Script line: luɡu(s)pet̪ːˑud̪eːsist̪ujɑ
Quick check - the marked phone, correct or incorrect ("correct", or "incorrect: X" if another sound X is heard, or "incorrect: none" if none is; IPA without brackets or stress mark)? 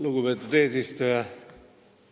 incorrect: none